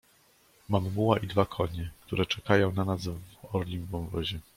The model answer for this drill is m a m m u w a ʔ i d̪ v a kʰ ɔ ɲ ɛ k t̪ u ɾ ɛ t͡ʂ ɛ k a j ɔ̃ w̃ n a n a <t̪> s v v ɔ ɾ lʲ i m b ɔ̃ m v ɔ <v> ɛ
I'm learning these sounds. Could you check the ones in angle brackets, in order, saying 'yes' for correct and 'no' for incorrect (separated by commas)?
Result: no, no